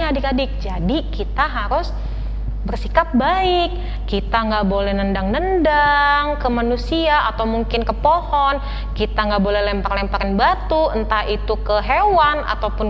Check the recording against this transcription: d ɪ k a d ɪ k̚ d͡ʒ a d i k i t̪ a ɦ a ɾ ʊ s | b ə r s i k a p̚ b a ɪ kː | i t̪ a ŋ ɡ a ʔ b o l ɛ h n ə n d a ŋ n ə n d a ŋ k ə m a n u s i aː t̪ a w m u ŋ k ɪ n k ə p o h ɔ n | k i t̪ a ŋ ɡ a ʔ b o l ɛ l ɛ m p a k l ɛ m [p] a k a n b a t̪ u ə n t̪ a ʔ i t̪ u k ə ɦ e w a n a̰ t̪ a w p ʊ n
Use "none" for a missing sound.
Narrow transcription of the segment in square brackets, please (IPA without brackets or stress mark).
p